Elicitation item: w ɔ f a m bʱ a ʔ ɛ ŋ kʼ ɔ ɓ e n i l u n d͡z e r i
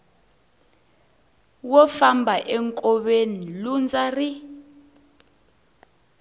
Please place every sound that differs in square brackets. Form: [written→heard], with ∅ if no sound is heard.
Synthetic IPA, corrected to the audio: w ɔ f a m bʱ a ʔ ɛ ŋ kʼ ɔ ɓ e n i l u n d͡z [e→a] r i